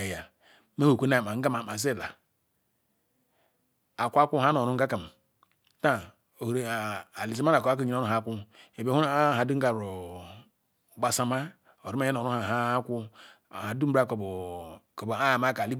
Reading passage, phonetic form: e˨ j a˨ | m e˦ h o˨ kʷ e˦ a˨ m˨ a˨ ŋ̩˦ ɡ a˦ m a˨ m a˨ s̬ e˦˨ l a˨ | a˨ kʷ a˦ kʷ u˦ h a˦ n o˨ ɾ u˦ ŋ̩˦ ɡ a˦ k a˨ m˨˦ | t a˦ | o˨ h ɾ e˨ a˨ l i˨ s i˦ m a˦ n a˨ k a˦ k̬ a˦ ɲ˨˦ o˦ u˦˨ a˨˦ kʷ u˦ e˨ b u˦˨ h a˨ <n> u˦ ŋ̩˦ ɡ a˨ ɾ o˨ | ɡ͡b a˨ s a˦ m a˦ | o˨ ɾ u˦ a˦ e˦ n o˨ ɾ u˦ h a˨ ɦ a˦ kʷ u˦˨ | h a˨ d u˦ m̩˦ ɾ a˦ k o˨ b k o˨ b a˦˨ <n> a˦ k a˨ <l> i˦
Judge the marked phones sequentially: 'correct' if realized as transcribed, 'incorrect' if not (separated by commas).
incorrect, incorrect, correct